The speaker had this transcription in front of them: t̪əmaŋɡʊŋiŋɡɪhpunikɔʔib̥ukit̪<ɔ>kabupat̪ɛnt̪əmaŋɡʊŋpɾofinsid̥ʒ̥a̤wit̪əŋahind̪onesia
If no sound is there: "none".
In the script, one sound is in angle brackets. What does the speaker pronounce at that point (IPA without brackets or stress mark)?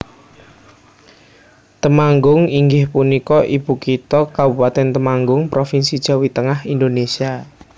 ɔ